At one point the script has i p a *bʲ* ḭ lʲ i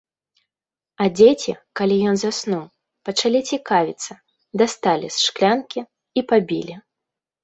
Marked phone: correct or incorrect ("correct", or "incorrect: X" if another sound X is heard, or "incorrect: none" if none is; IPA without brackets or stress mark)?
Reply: correct